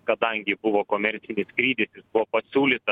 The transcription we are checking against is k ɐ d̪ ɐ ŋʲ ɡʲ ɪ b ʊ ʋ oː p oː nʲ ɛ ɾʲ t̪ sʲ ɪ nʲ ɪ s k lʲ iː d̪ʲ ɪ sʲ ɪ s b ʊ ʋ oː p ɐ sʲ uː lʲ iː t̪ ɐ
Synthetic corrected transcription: k ɐ d̪ ɐ ŋʲ ɡʲ ɪ b ʊ ʋ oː k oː mʲ ɛ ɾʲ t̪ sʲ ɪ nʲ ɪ s k ɾʲ iː d̪ʲ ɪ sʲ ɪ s b ʊ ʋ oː p ɐ sʲ uː lʲ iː t̪ ɐ